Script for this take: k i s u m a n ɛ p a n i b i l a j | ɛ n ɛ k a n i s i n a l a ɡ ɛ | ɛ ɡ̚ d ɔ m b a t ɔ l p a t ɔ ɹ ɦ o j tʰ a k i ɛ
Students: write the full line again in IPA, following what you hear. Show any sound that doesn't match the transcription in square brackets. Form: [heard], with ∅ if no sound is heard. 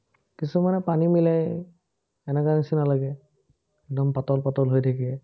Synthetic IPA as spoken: k i s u m a n ɛ p a n i [m] i l a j | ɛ n ɛ k a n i s i n a l a ɡ ɛ | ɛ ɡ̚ d ɔ m [p] a t ɔ l p a t ɔ [l] ɦ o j tʰ a k i ɛ